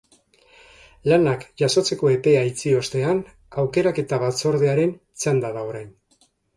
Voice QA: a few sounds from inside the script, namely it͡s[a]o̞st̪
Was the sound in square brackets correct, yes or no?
no